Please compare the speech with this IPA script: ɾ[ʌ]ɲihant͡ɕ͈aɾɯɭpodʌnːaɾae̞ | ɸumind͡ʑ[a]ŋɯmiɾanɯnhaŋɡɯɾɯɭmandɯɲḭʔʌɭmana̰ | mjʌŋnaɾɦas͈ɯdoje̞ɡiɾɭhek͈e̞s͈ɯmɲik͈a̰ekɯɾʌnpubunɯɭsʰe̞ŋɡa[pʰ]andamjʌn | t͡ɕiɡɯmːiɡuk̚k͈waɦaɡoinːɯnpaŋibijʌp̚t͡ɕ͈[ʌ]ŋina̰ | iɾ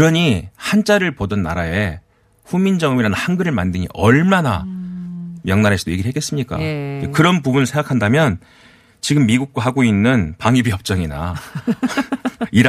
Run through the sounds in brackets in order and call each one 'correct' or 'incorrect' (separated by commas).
correct, incorrect, incorrect, correct